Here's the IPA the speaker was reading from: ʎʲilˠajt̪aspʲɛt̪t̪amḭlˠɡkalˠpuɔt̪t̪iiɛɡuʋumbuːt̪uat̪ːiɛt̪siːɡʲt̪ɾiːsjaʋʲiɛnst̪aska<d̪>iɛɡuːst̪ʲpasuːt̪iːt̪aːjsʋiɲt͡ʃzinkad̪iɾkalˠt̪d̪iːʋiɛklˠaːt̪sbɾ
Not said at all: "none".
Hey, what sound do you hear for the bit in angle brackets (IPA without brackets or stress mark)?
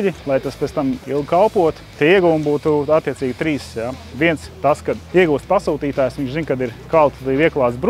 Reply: d̪